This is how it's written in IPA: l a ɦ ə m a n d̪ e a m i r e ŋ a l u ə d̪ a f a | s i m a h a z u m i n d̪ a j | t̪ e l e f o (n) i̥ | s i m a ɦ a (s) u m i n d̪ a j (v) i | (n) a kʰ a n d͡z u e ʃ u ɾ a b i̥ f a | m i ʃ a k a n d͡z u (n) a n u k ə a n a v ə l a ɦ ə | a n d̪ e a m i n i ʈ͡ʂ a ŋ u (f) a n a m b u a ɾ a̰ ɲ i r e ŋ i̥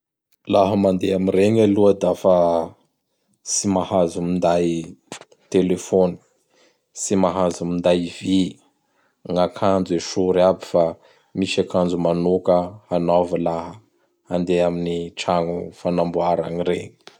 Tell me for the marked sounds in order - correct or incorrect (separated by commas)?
correct, incorrect, correct, incorrect, incorrect, correct